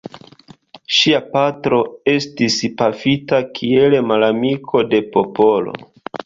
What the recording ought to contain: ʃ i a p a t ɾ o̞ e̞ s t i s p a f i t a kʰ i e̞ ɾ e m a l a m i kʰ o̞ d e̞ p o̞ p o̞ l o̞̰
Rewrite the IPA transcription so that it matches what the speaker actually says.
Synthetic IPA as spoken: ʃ i a p a t ɾ o̞ e̞ s t i s p a f i t a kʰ i e̞ l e m a l a m i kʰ o̞ d e̞ p o̞ p o̞ l o̞̰